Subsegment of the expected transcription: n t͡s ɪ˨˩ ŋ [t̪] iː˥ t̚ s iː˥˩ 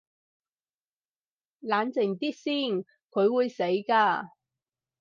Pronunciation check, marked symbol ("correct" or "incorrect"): correct